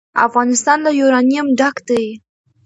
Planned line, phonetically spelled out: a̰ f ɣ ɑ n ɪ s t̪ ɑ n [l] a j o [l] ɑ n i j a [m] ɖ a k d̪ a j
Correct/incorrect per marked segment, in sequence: correct, incorrect: ɾ, correct

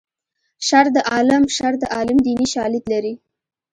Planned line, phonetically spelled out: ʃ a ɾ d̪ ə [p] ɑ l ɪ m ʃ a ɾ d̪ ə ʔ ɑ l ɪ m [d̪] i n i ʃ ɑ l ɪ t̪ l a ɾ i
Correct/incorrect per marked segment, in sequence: incorrect: ʔ, correct

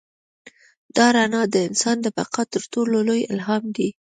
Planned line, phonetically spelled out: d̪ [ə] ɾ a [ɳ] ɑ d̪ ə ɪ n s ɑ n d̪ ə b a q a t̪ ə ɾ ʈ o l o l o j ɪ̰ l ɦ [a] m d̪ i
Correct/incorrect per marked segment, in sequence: incorrect: ɑ, incorrect: n, incorrect: ɑ

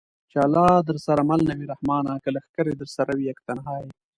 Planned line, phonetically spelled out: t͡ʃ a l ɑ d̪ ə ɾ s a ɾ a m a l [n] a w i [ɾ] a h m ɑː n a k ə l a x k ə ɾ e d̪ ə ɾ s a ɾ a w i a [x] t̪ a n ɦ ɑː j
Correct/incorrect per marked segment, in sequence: correct, correct, incorrect: k

